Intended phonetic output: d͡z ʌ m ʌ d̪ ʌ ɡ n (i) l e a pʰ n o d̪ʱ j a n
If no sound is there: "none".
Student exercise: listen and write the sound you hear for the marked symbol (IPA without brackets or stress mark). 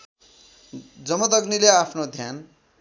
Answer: i